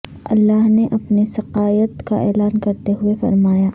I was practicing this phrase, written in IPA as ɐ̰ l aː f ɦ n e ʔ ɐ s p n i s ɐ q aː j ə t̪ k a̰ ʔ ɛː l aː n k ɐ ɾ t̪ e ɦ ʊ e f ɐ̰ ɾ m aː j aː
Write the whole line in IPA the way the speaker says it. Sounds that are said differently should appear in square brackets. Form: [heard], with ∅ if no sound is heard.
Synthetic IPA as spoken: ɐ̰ [lː] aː [∅] ɦ n e ʔ ɐ [∅] p n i s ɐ q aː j ə t̪ k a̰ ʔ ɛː l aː n k ɐ ɾ t̪ e ɦ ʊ e f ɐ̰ ɾ m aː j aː